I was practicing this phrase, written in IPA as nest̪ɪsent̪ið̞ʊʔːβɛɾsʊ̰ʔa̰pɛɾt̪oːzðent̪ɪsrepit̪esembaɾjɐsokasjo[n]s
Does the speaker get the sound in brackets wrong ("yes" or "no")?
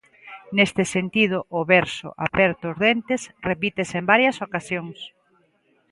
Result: yes